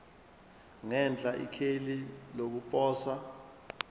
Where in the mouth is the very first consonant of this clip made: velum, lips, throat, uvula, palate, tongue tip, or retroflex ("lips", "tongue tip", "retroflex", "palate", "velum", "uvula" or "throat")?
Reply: velum